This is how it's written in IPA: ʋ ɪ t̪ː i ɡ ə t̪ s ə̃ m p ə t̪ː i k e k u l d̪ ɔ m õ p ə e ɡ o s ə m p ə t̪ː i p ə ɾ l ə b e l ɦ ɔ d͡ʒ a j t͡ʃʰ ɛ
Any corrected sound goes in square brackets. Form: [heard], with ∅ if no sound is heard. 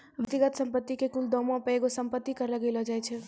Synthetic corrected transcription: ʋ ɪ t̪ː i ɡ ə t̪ s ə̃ m p ə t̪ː i k e k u l d̪ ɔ m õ p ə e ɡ o s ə m p ə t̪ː i [k] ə ɾ l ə [ɡ] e l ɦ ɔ d͡ʒ a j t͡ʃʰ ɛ